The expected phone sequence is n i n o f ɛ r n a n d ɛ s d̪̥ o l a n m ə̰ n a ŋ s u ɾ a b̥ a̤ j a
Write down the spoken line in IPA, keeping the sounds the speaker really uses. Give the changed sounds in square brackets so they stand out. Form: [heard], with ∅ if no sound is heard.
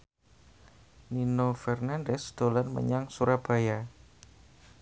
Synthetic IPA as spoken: n i n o f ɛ r n a n d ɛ s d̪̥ o l a n m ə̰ [ɲ] a ŋ s u ɾ a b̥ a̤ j a